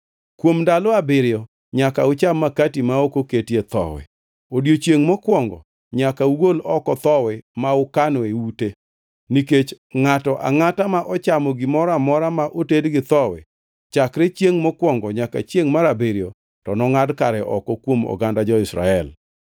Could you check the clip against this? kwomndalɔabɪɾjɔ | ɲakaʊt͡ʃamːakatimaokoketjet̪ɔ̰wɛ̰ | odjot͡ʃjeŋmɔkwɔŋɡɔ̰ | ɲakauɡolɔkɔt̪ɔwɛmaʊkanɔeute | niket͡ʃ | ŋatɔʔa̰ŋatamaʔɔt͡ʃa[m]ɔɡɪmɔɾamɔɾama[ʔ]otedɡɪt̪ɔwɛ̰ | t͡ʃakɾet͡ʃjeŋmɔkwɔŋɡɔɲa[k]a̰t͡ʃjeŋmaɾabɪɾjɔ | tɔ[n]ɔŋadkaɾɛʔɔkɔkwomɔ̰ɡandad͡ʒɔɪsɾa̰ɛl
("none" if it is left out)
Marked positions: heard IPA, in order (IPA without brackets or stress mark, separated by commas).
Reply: m, ʔ, k, n